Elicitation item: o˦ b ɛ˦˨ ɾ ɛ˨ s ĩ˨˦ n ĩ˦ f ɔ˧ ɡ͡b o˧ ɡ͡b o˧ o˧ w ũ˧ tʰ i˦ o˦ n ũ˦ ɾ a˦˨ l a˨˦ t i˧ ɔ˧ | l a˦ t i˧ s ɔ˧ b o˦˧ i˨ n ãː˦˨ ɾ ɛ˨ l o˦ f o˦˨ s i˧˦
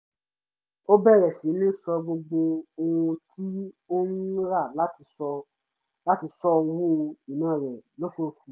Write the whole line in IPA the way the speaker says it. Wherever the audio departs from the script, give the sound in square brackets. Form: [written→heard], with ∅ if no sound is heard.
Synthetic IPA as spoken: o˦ b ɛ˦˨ ɾ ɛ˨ s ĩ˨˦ n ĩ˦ [f→s] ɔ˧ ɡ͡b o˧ ɡ͡b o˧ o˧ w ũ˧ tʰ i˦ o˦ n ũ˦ ɾ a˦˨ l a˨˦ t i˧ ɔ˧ | l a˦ t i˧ s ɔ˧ [b→w] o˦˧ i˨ n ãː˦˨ ɾ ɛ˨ l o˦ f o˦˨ [s→f] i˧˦